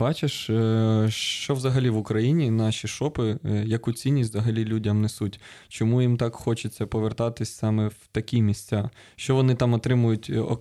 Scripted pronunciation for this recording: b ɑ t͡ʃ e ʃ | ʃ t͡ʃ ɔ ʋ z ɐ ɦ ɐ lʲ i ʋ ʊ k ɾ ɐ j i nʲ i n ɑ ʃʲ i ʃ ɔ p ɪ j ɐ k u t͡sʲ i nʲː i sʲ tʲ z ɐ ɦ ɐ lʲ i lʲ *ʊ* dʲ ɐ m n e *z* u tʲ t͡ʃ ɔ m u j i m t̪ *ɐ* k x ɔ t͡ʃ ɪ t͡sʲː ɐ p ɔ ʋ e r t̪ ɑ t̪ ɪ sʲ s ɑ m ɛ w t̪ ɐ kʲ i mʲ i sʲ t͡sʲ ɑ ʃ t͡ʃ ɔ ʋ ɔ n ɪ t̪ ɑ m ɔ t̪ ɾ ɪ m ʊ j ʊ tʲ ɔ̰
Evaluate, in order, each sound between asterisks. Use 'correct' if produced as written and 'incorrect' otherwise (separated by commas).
incorrect, incorrect, incorrect